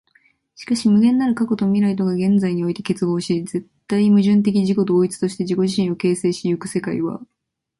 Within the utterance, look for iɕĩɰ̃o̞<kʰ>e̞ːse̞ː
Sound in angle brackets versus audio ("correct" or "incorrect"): incorrect